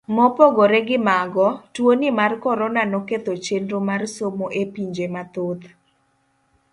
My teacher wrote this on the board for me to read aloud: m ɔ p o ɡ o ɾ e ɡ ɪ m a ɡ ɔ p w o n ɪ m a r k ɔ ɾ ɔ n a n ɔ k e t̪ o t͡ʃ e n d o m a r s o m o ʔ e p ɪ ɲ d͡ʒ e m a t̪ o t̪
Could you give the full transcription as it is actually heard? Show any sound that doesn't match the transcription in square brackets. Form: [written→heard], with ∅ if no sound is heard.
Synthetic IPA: m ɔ p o ɡ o ɾ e ɡ ɪ m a ɡ ɔ [p→t] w o n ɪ m a r k ɔ ɾ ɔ n a n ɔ k e t̪ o t͡ʃ e n d o m a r s o m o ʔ e p [ɪ→i] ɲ d͡ʒ e m a t̪ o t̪